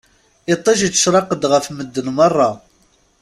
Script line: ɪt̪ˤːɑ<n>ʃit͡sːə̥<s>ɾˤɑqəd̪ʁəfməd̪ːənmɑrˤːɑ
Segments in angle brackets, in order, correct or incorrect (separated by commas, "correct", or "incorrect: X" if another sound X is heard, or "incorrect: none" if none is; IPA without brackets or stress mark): incorrect: none, incorrect: ʃ